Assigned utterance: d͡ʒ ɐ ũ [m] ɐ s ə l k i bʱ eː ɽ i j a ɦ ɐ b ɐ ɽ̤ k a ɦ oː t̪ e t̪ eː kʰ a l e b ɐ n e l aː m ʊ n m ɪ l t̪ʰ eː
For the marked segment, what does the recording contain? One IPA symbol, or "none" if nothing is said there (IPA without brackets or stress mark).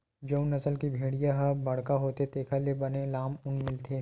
n